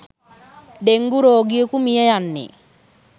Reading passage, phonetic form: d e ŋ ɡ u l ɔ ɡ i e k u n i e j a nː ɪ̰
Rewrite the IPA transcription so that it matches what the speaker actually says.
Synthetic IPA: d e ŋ ɡ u ɾ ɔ ɡ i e k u m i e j a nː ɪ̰